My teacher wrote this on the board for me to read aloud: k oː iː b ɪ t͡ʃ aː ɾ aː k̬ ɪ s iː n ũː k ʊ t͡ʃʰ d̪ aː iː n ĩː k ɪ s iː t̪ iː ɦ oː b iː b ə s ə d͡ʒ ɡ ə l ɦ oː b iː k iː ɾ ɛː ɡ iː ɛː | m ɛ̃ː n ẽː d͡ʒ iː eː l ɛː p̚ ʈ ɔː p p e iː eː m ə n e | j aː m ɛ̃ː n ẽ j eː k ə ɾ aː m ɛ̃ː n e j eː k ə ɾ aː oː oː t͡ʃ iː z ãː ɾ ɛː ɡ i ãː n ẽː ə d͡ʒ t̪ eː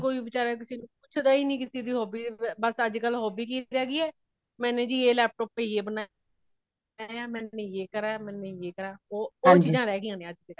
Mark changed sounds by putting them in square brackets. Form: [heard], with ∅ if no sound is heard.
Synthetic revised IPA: k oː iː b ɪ t͡ʃ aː ɾ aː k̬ ɪ s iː n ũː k ʊ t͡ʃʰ d̪ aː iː n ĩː k ɪ s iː [d̪] iː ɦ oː b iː b ə s ə d͡ʒ [k] ə l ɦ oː b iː k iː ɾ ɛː ɡ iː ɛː | m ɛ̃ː n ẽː d͡ʒ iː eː l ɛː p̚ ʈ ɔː p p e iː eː [b] ə n [a] | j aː m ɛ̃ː n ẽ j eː k ə ɾ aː m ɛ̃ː n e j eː k ə ɾ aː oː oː t͡ʃ iː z ãː ɾ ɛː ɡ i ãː n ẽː ə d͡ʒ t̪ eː